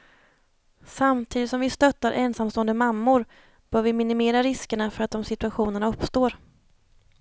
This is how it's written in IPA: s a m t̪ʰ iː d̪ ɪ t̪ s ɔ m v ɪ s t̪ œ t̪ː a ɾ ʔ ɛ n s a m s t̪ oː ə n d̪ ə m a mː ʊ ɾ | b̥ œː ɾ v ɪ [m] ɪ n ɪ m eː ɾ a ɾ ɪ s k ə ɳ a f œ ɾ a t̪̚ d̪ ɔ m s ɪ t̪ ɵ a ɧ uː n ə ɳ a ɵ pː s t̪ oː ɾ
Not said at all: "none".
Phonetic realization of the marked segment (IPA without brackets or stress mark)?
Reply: m